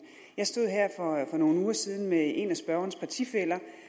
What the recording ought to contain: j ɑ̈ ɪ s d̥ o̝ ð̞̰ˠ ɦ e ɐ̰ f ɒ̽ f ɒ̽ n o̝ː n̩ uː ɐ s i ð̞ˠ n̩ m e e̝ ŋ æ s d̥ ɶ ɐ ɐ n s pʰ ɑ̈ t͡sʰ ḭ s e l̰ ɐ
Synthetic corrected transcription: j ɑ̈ ɪ s d̥ o̝ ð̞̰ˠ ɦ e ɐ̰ f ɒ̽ f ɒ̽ n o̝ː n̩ uː ɐ s i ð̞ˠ n̩ m e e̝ n æ s b̥ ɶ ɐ ɐ n s pʰ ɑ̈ t͡sʰ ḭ f e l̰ ɐ